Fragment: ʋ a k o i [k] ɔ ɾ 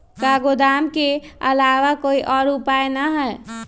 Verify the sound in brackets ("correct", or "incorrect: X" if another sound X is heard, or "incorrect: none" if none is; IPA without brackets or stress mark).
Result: incorrect: ʔ